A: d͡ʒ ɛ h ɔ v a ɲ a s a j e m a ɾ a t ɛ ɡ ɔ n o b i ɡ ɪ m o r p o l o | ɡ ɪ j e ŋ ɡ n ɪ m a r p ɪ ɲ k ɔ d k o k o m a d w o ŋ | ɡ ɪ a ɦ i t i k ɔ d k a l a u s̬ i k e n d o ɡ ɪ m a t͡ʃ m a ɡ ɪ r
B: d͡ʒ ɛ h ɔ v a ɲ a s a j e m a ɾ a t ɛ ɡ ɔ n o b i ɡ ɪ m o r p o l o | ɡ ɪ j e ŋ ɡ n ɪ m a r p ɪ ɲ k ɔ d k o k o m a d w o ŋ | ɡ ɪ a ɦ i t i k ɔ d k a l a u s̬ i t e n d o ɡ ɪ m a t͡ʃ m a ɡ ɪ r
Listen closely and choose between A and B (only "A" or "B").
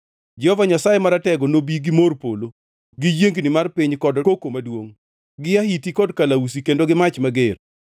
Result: A